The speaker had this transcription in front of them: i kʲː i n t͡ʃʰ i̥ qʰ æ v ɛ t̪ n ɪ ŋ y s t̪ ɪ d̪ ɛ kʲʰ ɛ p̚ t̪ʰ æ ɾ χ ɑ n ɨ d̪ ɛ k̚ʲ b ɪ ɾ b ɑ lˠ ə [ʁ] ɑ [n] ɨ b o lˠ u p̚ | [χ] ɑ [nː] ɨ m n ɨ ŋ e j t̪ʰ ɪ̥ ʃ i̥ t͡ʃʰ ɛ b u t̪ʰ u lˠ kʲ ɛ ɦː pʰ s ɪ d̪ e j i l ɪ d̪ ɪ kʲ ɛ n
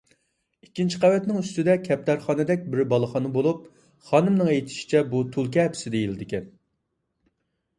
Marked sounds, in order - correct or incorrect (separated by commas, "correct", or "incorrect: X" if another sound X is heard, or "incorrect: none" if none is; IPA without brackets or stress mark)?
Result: incorrect: χ, correct, correct, incorrect: n